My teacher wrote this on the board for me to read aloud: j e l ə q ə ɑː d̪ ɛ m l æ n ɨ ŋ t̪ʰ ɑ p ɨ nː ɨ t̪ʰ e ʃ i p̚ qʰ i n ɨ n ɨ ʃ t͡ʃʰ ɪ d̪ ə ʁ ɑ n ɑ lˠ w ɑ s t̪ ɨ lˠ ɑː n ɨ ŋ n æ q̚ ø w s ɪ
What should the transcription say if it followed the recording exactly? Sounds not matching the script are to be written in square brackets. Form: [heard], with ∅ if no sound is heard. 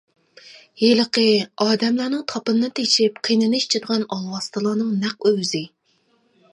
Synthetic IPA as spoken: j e l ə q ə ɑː d̪ ɛ m l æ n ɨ ŋ t̪ʰ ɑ p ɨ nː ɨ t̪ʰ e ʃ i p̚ qʰ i n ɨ n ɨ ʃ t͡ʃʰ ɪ d̪ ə ʁ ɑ n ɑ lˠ w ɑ s t̪ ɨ lˠ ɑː n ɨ ŋ n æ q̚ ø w [z] ɪ